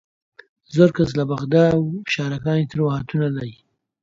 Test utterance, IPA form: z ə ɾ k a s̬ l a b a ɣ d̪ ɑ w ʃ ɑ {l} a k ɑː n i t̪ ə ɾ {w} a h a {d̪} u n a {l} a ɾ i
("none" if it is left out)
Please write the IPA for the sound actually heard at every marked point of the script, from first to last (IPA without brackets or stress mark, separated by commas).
ɾ, w, t̪, l